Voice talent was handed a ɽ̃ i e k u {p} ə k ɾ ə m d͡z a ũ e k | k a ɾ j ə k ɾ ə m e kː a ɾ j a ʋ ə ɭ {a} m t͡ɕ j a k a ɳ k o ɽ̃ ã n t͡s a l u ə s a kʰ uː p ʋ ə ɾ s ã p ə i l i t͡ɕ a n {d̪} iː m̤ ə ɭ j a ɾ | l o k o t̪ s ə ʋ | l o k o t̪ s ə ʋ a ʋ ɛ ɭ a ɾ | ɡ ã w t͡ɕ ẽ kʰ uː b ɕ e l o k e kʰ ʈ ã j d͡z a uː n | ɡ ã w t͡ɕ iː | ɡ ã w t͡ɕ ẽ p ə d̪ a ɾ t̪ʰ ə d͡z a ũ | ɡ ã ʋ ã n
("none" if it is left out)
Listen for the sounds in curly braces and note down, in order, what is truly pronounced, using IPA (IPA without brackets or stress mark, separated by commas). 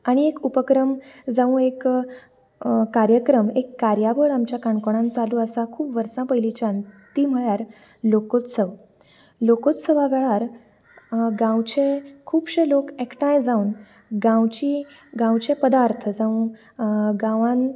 p, a, t̪